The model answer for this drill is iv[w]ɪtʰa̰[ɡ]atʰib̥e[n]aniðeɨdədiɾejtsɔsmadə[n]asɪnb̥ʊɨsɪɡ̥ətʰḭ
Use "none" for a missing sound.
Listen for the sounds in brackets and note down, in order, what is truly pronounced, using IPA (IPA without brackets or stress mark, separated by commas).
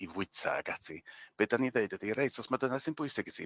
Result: w, ɡ, d, n